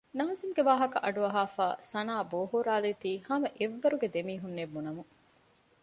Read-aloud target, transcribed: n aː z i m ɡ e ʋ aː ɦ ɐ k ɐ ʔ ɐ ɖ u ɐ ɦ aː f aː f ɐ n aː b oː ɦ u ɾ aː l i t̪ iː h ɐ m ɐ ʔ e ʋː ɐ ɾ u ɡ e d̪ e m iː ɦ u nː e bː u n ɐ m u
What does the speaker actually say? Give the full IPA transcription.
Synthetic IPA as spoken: n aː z i m ɡ e ʋ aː ɦ ɐ k ɐ ʔ ɐ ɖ u ɐ ɦ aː f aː s ɐ n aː b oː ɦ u ɾ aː l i t̪ iː h ɐ m ɐ ʔ e ʋː ɐ ɾ u ɡ e d̪ e m iː ɦ u nː e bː u n ɐ m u